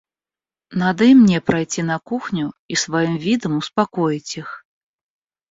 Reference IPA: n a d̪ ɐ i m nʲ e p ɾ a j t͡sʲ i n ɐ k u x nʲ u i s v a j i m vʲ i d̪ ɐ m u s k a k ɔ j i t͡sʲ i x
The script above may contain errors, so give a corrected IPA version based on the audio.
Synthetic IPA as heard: n a d̪ ɐ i m nʲ ɛ p ɾ a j t͡sʲ i n ɐ k u x nʲ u i s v a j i m vʲ i d̪ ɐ m u s p a k ɔ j i t͡sʲ i x